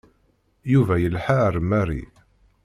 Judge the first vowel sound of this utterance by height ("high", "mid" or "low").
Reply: high